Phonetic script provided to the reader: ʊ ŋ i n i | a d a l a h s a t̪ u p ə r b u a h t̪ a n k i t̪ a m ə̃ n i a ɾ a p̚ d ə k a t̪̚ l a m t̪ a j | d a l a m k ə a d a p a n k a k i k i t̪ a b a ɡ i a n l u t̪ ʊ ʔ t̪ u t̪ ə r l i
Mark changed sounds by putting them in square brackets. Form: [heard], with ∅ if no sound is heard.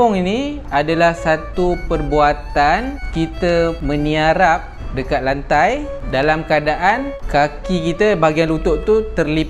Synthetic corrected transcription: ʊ ŋ i n i | a d a l a h s a t̪ u p ə r b u a [∅] t̪ a n k i t̪ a m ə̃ n i a ɾ a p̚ d ə k a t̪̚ l a [n] t̪ a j | d a l a m k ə a d a [ʔ] a n k a k i k i t̪ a b a ɡ i a n l u t̪ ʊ ʔ t̪ u t̪ ə r l i